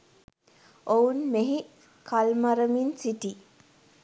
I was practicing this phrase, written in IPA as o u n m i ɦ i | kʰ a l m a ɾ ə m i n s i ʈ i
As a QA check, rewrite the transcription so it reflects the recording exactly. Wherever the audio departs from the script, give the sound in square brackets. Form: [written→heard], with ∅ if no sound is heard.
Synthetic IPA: o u n m [i→e] ɦ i | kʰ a l m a ɾ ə m i n s i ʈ i